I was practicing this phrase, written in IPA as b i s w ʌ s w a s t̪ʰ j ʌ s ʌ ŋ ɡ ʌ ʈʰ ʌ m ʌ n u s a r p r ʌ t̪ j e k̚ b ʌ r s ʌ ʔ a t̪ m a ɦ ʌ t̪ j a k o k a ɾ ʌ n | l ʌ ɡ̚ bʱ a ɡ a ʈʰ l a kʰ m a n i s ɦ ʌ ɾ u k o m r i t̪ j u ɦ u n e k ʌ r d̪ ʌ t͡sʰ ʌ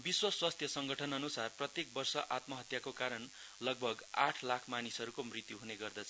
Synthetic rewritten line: b i s w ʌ s w a s t̪ʰ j ʌ s ʌ ŋ ɡ ʌ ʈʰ ʌ n ʌ n u s a r p r ʌ t̪ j e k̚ b ʌ r s ʌ ʔ a t̪ m ʌ ɦ ʌ t̪ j a k o k a ɾ ʌ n | l ʌ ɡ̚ bʱ ʌ ɡ a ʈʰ l a kʰ m a n i s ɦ ʌ ɾ u k o m r i t̪ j u ɦ u n e ɡ ʌ r d̪ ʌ t͡sʰ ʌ